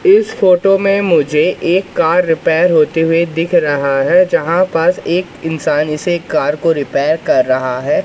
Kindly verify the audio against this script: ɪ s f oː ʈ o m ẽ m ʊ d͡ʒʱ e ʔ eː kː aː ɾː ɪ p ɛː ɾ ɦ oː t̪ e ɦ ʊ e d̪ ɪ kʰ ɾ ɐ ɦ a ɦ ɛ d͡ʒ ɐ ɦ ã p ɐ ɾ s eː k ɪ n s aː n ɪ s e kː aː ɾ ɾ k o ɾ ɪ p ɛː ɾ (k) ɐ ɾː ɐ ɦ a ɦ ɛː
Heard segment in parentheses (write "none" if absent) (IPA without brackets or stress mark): k